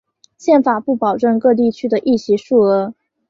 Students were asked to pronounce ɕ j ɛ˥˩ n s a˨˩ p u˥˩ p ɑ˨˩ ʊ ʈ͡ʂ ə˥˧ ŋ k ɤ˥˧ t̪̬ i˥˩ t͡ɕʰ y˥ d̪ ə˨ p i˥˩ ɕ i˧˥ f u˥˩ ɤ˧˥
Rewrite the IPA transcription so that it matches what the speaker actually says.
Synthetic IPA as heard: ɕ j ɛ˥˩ n f a˨˩ p u˥˩ p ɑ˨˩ ʊ ʈ͡ʂ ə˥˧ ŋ k ɤ˥˧ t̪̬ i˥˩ t͡ɕʰ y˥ d̪ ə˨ ʔ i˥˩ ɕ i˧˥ ʂ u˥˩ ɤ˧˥